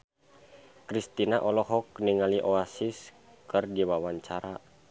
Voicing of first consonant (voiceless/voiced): voiceless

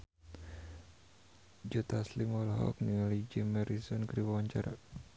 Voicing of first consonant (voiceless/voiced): voiced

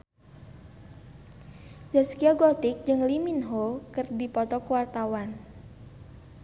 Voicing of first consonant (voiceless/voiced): voiced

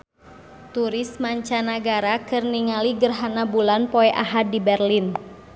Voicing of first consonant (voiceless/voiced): voiceless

